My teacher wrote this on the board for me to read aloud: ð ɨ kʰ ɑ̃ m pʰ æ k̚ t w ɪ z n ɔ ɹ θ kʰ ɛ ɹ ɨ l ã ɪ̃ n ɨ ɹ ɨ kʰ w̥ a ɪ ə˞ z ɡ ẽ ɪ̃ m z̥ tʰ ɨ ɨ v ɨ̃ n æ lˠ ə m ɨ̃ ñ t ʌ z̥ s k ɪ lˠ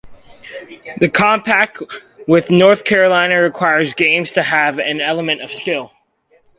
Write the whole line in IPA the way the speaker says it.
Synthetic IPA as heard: ð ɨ kʰ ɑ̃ m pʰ æ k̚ t w ɪ ð n ɔ ɹ θ kʰ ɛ ɹ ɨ l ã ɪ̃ n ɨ ɹ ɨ kʰ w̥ a ɪ ə˞ z ɡ ẽ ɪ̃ m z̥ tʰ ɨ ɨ v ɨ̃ n ɛ lˠ ə m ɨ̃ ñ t ʌ v̥ s k ɪ lˠ